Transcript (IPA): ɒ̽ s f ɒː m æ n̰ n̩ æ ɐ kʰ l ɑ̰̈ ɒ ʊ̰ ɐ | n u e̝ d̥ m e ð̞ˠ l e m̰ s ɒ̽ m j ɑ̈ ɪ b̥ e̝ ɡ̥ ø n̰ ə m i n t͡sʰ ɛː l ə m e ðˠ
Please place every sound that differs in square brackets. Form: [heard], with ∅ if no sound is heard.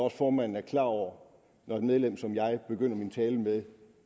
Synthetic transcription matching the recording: ɒ̽ s f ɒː m æ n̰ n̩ æ ɐ kʰ l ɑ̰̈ ɒ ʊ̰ ɐ | n [ɒ] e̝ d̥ m e ð̞ˠ l e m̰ s ɒ̽ m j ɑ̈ ɪ b̥ e̝ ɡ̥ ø n̰ [ɐ] m i n t͡sʰ ɛː l ə m e ðˠ